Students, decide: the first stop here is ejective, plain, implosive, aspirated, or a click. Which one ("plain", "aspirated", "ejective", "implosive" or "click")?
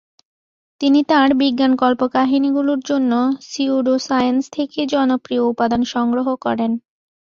plain